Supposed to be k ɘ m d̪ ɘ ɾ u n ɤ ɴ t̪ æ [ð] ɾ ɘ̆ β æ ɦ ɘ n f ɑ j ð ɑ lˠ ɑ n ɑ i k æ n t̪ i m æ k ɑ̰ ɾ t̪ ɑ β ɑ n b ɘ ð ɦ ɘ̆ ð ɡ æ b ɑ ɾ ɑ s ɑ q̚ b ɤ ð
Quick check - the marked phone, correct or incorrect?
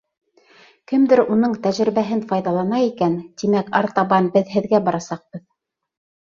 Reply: incorrect: ʒ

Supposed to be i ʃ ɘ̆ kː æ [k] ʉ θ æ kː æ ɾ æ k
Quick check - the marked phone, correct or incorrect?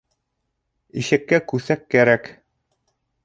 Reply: correct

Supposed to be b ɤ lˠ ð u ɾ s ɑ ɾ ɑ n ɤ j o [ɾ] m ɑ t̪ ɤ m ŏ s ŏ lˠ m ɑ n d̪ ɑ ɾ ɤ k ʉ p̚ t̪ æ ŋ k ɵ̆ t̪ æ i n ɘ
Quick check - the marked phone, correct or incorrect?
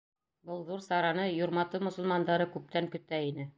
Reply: correct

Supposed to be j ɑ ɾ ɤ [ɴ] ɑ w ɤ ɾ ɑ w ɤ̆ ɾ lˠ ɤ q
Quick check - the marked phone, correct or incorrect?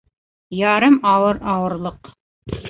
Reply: incorrect: m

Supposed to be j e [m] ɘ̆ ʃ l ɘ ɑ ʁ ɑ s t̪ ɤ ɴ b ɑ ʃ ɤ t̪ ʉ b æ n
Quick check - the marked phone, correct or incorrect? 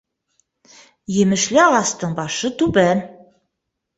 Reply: correct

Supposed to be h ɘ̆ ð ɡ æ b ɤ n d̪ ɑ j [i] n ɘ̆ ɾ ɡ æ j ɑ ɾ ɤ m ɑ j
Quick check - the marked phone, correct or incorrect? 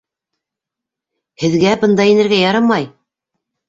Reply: correct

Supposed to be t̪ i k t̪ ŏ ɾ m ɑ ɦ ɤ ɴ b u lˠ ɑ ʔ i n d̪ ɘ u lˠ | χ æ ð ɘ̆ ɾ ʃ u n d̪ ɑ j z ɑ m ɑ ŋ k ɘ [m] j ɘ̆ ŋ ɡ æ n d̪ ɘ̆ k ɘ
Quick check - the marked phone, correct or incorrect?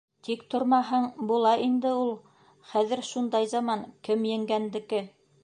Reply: correct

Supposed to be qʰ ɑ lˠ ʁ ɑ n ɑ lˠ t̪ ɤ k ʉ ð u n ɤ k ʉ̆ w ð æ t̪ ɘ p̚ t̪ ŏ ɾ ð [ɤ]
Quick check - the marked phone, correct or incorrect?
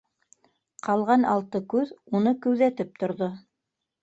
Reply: incorrect: o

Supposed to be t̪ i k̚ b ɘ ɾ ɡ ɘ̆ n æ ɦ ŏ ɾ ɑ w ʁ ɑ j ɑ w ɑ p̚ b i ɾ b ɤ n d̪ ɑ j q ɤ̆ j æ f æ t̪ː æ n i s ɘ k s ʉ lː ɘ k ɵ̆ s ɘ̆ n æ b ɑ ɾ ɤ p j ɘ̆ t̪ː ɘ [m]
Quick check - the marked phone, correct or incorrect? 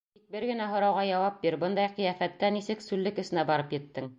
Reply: incorrect: ŋ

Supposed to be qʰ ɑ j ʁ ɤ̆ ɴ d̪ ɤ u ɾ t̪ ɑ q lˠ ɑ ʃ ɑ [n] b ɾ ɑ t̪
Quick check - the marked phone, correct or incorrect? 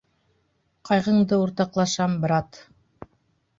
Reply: incorrect: m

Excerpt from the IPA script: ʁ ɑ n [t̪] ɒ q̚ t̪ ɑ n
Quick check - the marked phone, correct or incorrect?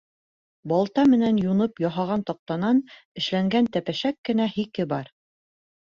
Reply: correct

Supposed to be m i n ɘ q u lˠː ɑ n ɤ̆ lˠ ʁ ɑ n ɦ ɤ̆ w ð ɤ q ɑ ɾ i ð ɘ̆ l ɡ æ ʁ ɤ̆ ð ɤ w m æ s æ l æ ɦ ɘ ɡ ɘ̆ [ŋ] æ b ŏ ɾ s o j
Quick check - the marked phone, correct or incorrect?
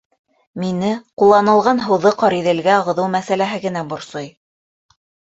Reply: incorrect: n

